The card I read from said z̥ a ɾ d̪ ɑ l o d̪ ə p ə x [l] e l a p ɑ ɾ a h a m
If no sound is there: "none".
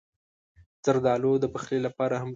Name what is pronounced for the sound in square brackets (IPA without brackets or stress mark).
l